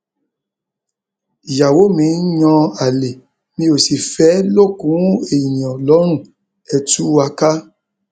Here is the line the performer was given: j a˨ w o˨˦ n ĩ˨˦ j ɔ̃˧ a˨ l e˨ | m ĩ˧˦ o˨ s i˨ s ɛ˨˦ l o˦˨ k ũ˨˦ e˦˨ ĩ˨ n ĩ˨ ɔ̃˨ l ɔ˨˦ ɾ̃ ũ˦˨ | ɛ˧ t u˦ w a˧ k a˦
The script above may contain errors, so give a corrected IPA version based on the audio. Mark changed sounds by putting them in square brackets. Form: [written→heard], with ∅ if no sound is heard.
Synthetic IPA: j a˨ w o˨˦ [n→m] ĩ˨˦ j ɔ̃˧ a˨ l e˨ | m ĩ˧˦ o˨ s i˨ [s→f] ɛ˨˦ l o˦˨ k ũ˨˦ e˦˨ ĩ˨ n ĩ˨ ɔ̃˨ l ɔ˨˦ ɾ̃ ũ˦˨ | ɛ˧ t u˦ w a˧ k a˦

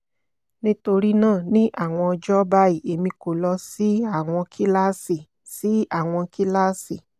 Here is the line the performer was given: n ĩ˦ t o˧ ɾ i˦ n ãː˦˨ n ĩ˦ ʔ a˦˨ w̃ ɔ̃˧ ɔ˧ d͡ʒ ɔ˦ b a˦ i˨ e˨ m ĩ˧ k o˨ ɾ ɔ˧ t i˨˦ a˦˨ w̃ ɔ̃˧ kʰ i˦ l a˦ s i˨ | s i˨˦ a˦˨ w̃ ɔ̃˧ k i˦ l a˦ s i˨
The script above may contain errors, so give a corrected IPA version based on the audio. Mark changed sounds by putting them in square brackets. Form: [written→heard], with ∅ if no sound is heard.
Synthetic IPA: n ĩ˦ t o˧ ɾ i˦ n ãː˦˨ n ĩ˦ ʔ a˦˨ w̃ ɔ̃˧ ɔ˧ d͡ʒ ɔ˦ b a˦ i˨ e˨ m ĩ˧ k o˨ [ɾ→l] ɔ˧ [t→s] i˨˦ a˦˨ w̃ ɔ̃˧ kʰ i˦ l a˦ s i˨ | s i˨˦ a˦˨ w̃ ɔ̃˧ k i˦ l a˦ s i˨

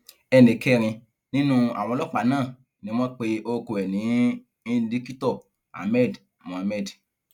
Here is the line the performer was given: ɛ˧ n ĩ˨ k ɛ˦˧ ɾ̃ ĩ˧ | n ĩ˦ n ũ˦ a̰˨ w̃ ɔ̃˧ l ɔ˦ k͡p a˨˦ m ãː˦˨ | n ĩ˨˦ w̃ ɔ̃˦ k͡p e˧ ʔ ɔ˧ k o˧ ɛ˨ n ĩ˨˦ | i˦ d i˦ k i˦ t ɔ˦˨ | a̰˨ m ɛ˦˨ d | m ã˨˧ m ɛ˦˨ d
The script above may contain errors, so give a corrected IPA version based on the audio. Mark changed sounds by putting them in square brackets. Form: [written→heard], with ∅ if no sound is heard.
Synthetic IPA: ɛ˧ n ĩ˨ k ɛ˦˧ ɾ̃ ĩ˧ | n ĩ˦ n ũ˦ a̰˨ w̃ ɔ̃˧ l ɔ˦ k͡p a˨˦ [m→n] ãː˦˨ | n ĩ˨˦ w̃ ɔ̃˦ k͡p e˧ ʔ [ɔ˧→o˧] k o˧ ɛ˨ n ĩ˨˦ | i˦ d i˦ k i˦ t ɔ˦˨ | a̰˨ m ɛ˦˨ d | m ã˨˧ m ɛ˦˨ d

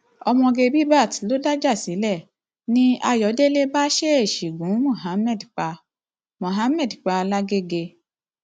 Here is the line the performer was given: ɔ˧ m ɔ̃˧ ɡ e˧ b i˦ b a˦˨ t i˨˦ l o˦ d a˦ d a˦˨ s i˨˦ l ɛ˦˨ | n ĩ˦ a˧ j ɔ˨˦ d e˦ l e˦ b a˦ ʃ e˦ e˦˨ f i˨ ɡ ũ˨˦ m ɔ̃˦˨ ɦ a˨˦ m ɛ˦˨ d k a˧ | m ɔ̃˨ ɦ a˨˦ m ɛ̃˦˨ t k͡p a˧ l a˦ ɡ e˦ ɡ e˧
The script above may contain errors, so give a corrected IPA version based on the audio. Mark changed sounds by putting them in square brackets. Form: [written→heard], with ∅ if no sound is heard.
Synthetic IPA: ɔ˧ m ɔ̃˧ ɡ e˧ b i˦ b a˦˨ t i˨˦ l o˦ d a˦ [d→d͡ʒ] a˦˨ s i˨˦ l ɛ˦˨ | n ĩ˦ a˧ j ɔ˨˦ d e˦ l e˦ b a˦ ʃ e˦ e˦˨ [f→ʃ] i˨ ɡ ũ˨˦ m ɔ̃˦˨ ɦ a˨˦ m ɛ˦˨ d [k→k͡p] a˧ | m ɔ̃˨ ɦ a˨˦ m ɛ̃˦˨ [t→d] k͡p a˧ l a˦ ɡ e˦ ɡ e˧

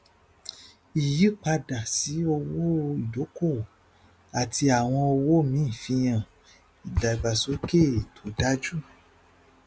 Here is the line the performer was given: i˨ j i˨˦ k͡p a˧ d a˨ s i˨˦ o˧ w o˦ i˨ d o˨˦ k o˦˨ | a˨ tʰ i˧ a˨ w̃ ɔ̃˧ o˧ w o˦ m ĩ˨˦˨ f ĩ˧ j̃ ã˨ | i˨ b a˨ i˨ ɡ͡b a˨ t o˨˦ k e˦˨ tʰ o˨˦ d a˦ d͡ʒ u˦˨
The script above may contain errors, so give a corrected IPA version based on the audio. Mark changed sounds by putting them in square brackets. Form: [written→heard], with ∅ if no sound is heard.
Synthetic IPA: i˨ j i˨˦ k͡p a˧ d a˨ s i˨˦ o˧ w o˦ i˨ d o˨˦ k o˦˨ | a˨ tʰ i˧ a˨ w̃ ɔ̃˧ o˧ w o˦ m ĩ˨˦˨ f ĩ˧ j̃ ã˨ | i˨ [b→d] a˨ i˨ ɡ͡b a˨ [t→s] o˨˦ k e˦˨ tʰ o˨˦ d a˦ d͡ʒ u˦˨

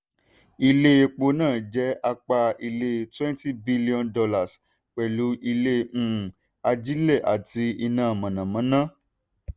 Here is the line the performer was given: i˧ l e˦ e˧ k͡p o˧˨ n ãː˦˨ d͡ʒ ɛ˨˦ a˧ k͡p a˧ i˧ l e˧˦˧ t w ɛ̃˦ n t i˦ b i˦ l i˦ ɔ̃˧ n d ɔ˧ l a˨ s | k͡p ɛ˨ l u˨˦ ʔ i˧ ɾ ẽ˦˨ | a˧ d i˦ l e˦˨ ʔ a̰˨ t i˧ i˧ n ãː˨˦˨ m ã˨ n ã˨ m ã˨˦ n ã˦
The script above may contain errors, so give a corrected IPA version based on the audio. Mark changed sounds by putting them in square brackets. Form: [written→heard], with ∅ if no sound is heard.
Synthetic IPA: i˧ l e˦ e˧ k͡p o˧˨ n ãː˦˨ d͡ʒ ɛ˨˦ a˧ k͡p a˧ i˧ l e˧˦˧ t w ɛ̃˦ n t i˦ b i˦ l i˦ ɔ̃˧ n d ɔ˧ l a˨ s | k͡p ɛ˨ l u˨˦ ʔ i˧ [ɾ→l] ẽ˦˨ | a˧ [d→d͡ʒ] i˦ l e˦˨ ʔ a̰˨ t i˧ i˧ n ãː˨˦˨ m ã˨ n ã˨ m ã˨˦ n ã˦

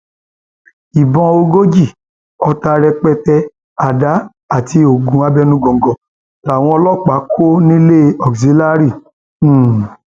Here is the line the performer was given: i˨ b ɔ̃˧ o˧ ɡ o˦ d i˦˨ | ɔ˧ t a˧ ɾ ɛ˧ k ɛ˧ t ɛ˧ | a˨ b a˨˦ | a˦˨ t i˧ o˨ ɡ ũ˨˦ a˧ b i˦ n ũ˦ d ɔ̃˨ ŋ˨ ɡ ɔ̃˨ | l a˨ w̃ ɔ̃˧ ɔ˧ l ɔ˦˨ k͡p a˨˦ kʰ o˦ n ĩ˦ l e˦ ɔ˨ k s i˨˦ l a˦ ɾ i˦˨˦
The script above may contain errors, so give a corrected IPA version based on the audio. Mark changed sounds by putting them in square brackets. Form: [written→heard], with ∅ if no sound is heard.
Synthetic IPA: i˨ b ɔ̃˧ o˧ ɡ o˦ [d→d͡ʒ] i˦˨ | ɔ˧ t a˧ ɾ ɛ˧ [k→k͡p] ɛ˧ t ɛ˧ | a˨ [b→d] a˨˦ | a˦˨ t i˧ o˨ ɡ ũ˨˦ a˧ b [i˦→ɛ˦] n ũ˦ [d→ɡ] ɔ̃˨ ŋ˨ ɡ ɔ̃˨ | l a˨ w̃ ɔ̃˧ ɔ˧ l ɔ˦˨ k͡p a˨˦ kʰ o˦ n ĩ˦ l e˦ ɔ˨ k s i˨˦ l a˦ ɾ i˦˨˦

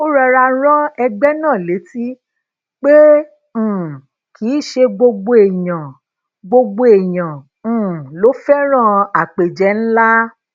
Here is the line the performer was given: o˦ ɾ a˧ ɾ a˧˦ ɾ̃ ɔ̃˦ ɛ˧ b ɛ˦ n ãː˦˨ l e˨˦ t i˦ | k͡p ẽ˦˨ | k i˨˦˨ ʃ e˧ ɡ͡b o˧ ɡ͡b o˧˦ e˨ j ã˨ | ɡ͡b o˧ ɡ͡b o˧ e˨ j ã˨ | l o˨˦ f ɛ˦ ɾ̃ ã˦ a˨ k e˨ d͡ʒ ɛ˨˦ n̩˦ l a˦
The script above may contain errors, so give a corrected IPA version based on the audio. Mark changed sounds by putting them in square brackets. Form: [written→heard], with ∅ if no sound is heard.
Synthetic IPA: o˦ ɾ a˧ ɾ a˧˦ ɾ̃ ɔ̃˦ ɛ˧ [b→ɡ͡b] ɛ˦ n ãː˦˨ l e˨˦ t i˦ | k͡p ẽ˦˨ | k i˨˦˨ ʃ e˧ ɡ͡b o˧ ɡ͡b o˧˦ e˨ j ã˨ | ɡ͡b o˧ ɡ͡b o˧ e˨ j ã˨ | l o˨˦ f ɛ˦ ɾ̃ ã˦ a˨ [k→k͡p] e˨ d͡ʒ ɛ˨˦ n̩˦ l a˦

